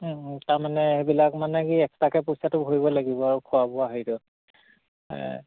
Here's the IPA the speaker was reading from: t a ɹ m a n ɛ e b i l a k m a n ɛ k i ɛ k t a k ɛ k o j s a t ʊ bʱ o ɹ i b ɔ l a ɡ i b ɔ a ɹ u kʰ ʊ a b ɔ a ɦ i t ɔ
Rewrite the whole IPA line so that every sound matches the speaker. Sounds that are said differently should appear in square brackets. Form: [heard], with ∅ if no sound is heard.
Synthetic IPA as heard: t a ɹ m a n ɛ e b i l a k m a n ɛ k i ɛ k t a k ɛ [p] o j s a t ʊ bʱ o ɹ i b ɔ l a ɡ i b ɔ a ɹ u kʰ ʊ a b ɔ a ɦ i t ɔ